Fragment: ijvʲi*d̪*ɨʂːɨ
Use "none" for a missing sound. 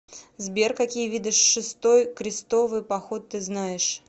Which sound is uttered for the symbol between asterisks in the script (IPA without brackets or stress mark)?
d̪